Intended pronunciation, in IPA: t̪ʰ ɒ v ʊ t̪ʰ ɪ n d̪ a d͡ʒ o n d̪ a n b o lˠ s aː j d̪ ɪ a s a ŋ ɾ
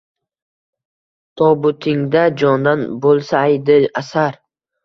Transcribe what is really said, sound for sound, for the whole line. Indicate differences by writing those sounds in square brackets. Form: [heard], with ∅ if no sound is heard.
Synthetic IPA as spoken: t̪ʰ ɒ [b] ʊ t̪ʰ ɪ [ŋ] d̪ a d͡ʒ [ɒ] n d̪ a n b o lˠ s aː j d̪ ɪ a s a [∅] ɾ